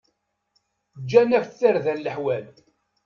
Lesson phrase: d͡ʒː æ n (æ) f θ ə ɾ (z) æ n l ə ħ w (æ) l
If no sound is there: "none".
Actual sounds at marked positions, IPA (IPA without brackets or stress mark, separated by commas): æ, ð, æ